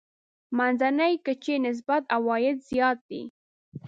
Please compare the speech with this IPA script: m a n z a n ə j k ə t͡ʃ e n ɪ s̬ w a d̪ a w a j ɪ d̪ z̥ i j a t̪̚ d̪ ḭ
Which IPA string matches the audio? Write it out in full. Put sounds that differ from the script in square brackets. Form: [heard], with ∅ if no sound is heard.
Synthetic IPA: m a n z a n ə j k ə t͡ʃ e n ɪ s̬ [b] a [t̪] a w [ɑ] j ɪ d̪ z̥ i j [ɑ] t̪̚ d̪ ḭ